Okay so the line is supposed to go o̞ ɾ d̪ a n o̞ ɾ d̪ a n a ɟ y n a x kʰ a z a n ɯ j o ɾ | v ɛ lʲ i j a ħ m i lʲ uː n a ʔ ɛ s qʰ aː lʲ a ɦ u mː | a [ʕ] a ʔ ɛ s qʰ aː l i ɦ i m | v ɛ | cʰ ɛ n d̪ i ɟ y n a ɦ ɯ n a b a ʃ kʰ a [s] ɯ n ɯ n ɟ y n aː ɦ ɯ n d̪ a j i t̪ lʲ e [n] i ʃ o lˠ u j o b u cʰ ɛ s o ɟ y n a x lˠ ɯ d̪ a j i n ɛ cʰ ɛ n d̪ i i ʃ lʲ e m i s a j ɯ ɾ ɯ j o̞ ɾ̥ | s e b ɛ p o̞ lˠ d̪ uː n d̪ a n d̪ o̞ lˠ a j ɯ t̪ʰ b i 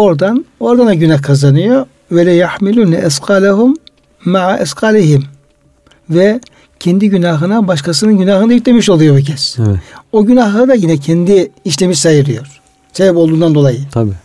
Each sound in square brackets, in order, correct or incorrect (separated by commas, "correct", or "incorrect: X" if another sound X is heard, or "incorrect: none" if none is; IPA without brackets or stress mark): correct, correct, incorrect: m